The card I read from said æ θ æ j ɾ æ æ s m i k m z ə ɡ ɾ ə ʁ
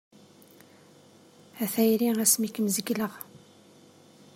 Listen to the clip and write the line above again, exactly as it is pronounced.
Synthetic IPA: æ θ æ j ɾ i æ s m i k m z ə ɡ l ə ʁ